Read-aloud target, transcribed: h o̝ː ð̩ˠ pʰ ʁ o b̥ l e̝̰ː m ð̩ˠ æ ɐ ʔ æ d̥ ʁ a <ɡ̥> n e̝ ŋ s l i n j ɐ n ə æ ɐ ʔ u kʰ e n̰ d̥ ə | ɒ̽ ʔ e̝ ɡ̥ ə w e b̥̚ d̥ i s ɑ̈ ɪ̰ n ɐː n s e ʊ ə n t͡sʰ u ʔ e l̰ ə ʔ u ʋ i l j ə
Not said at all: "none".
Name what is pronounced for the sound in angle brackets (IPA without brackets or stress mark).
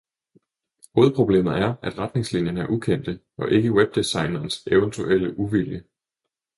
d̥